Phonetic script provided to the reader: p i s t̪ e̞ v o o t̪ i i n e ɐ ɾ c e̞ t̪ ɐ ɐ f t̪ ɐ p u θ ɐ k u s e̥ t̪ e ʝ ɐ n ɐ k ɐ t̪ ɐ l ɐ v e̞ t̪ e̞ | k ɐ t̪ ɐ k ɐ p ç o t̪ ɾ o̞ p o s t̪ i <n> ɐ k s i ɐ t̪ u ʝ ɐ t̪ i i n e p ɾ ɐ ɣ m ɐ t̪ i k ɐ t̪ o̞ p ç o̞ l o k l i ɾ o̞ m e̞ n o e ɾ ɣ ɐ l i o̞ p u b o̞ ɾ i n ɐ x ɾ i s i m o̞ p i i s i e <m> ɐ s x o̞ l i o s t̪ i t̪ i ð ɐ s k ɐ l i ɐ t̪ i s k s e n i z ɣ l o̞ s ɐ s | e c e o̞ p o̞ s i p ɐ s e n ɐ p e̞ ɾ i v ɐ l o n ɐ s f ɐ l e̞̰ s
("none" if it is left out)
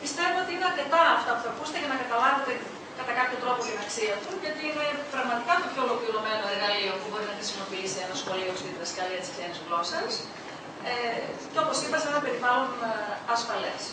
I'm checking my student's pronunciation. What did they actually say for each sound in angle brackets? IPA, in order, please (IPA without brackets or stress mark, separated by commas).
n, n